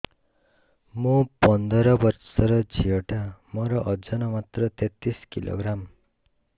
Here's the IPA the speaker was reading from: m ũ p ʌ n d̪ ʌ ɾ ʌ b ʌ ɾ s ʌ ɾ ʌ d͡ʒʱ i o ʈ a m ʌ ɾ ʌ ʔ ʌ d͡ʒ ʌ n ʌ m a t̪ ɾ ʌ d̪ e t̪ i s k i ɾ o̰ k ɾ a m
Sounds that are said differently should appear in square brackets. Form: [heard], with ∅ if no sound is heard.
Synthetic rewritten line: m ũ p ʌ n d̪ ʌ ɾ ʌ b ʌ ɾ s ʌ ɾ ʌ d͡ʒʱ i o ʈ a m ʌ ɾ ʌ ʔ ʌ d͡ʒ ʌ n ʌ m a t̪ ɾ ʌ [t̪] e t̪ i s k i [l] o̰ [ɡ] ɾ a m